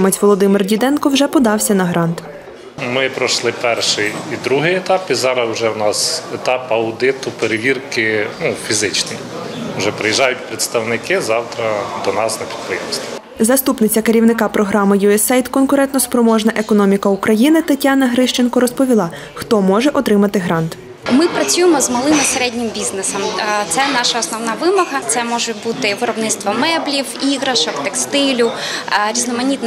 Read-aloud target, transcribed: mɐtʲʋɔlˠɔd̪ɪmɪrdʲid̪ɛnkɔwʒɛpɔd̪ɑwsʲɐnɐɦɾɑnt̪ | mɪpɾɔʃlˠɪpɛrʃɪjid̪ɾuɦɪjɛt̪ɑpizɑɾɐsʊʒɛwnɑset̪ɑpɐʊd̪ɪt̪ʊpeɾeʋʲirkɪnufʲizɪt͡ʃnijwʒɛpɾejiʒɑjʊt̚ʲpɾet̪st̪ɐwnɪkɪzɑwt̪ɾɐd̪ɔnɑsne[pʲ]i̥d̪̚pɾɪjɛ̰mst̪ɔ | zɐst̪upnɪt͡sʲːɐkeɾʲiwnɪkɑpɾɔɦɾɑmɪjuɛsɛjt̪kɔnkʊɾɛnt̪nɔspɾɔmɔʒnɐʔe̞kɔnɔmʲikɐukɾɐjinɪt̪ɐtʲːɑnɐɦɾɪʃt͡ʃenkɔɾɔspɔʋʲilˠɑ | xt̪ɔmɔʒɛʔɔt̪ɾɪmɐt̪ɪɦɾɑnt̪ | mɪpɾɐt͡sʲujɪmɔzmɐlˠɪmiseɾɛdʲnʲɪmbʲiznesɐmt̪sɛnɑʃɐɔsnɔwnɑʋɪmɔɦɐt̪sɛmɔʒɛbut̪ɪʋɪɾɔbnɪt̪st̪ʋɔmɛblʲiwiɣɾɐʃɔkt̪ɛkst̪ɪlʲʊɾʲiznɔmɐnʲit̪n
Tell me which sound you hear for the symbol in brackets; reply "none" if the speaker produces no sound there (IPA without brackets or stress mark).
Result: pʲ